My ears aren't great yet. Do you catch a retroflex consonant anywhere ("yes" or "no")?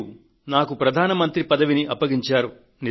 no